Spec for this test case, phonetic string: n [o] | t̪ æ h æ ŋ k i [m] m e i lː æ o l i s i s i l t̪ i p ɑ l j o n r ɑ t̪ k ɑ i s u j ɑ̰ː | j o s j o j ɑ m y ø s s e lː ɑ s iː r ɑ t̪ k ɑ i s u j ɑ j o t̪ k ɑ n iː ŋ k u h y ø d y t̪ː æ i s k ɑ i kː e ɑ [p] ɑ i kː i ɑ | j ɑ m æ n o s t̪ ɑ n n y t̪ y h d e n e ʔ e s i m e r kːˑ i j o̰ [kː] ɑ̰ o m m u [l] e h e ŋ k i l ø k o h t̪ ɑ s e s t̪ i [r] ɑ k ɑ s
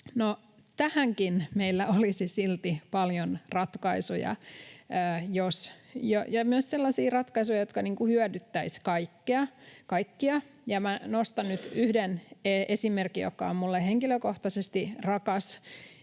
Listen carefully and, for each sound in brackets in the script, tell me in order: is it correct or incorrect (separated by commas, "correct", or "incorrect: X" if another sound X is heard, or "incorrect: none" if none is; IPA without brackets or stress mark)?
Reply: correct, incorrect: n, incorrect: k, correct, incorrect: lː, correct